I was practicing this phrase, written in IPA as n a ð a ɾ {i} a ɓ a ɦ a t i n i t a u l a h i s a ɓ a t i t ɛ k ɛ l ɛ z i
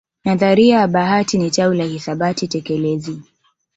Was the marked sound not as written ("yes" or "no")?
no